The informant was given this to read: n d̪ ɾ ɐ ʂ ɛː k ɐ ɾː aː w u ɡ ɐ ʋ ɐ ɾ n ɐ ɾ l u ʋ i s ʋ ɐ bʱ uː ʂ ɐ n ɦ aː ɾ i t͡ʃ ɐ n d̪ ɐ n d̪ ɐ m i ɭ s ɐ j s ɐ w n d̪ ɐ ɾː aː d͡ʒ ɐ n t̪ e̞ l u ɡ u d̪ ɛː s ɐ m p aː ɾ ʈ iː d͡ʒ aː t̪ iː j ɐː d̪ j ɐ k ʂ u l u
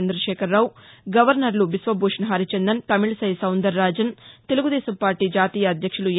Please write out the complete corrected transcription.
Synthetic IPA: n d̪ ɾ ɐ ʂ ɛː k ɐ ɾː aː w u ɡ ɐ ʋ ɐ ɾ n ɐ ɾ l u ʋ i s ʋ ɐ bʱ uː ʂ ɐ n ɦ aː ɾ i t͡ʃ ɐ n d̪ ɐ n t̪ ɐ m i ɭ s ɐ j s ɐ w n d̪ ɐ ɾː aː d͡ʒ ɐ n t̪ e̞ l u ɡ u d̪ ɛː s ɐ m p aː ɾ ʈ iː d͡ʒ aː t̪ iː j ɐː d̪ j ɐ k ʂ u l u